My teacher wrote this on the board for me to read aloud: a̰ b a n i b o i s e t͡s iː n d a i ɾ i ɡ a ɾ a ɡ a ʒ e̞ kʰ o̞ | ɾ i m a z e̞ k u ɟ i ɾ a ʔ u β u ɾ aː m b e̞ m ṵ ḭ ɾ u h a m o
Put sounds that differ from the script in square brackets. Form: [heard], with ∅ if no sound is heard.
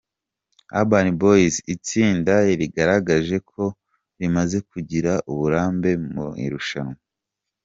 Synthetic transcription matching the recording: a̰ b a n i b o i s [i] t͡s iː n d a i ɾ i ɡ a ɾ a ɡ a ʒ e̞ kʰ o̞ | ɾ i m a z e̞ k u ɟ i ɾ a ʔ u β u ɾ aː m b e̞ m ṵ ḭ ɾ u [ʃ] a [n] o

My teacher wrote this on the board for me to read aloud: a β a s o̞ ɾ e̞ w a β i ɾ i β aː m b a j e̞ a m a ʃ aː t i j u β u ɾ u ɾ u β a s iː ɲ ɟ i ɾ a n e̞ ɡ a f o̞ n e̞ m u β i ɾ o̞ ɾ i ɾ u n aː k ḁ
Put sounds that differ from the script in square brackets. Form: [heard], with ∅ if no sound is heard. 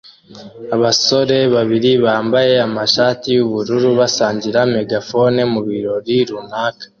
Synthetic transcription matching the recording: a β a s o̞ ɾ e̞ [β] a β i ɾ i β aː m b a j e̞ a m a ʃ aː t i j u β u ɾ u ɾ u β a s [aː] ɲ ɟ i ɾ a [m] e̞ ɡ a f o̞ n e̞ m u β i ɾ o̞ ɾ i ɾ u n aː k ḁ

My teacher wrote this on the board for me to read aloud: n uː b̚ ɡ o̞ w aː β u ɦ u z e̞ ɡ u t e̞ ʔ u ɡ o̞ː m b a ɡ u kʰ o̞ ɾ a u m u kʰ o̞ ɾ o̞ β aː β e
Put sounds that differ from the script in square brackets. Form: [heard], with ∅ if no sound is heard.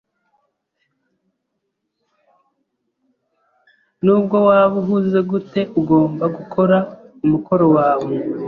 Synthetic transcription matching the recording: n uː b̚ ɡ o̞ w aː β u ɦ u z e̞ ɡ u t e̞ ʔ u ɡ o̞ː m b a ɡ u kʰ o̞ ɾ a u m u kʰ o̞ ɾ o̞ [w] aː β e

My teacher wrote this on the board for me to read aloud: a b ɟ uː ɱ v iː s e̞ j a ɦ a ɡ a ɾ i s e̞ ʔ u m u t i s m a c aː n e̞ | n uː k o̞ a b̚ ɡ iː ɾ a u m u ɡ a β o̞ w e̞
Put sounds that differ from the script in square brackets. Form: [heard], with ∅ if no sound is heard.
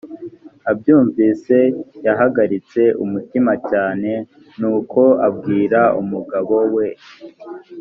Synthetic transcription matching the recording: a b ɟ uː ɱ v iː s e̞ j a ɦ a ɡ a ɾ i [t͡s] e̞ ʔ u m u t i [∅] m a c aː n e̞ | n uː k o̞ a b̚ ɡ iː ɾ a u m u ɡ a β o̞ w e̞

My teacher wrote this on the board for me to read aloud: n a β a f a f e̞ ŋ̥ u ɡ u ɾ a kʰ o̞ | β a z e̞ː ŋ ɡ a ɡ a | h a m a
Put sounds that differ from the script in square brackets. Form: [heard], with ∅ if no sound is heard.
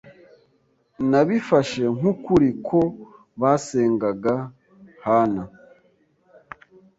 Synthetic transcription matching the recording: n a β [i] f a [ʃ] e̞ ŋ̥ u [k] u ɾ [i] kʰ o̞ | β a [s] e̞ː ŋ ɡ a ɡ a | h a [n] a

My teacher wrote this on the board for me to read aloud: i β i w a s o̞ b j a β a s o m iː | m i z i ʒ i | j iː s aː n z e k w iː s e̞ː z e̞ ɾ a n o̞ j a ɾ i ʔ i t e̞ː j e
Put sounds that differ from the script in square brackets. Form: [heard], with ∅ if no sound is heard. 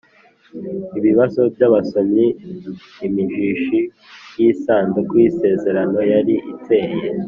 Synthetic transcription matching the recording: i β i [β] a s o̞ b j a β a s o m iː | m i [ʒ] i [ʃ] i | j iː s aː n z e k w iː s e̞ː z e̞ ɾ a n o̞ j a ɾ i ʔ i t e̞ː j e

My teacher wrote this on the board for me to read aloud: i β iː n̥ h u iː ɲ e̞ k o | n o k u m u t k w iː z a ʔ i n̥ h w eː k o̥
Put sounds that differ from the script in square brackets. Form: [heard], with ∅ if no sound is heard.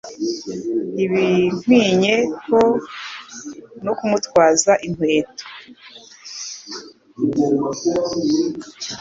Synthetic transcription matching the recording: i β [i] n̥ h [w] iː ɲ e̞ k o | n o k u m u t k w [aː] z a ʔ i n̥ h w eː [t] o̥

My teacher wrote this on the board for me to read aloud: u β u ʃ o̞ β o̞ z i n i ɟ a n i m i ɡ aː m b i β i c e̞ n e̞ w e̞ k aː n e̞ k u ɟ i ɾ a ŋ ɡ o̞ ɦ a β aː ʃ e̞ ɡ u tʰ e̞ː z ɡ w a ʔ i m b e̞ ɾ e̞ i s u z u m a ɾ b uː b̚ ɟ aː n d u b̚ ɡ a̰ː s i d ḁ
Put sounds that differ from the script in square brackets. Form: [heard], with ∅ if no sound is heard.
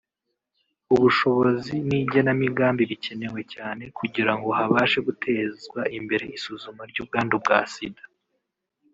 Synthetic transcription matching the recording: u β u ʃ o̞ β o̞ z i n i ɟ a n [a] m i ɡ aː m b i β i c e̞ n e̞ w e̞ [c] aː n e̞ k u ɟ i ɾ a ŋ ɡ o̞ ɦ a β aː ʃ e̞ ɡ u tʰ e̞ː z ɡ w a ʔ i m b e̞ ɾ e̞ i s u z u m a ɾ [ɟ] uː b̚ [ɡ] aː n d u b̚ ɡ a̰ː s i d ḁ

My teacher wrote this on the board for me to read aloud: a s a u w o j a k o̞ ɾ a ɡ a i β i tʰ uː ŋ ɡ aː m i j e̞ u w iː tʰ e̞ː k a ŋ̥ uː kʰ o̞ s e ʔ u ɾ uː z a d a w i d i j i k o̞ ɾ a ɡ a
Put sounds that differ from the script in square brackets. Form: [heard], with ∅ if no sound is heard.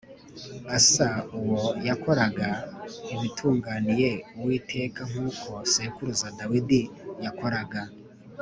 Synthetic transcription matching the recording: a s a u w o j a k o̞ ɾ a ɡ a i β i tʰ uː ŋ ɡ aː [n] i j e̞ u w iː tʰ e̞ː k a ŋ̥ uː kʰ o̞ s e [k] u ɾ [u] z a d a w i d i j [a] k o̞ ɾ a ɡ a

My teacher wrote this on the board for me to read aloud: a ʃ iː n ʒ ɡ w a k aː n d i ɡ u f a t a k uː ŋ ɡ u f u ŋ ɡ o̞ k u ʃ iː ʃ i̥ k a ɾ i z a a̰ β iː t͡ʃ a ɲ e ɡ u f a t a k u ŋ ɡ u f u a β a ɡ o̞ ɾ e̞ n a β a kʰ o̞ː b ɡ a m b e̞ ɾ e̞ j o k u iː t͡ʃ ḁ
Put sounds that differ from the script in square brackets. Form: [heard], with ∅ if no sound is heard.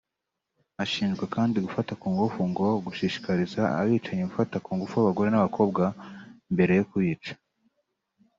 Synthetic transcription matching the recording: a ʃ iː n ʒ ɡ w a k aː n d i ɡ u f a t a k uː ŋ ɡ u f u ŋ ɡ o̞ [ɡ] u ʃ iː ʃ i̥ k a ɾ i z a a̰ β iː t͡ʃ a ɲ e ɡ u f a t a k [uː] ŋ ɡ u f u a β a ɡ o̞ ɾ e̞ n a β a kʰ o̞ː b ɡ a m b e̞ ɾ e̞ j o k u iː t͡ʃ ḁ

